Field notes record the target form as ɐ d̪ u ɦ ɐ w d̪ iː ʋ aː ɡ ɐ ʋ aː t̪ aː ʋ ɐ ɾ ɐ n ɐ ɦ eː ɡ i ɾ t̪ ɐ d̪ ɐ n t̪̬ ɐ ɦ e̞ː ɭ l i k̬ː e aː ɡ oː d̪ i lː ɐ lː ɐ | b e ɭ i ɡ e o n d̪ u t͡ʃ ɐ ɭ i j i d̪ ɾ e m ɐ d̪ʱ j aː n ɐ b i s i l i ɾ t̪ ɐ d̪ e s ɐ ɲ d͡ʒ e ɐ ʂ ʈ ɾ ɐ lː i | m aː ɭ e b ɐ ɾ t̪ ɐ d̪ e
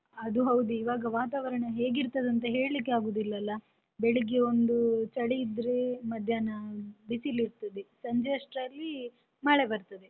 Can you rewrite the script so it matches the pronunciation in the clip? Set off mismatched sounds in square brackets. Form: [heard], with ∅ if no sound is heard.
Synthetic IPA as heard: ɐ d̪ u ɦ ɐ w d̪ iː ʋ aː ɡ ɐ ʋ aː t̪ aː ʋ ɐ ɾ ɐ [ɳ] ɐ ɦ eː ɡ i ɾ t̪ ɐ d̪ ɐ n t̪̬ ɐ ɦ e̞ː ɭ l i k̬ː e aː ɡ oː d̪ i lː ɐ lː ɐ | b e ɭ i ɡ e o n d̪ u t͡ʃ ɐ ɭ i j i d̪ ɾ e m ɐ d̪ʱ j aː n ɐ b i s i l i ɾ t̪ ɐ d̪ e s ɐ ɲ d͡ʒ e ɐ ʂ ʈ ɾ ɐ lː i | m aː ɭ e b ɐ ɾ t̪ ɐ d̪ e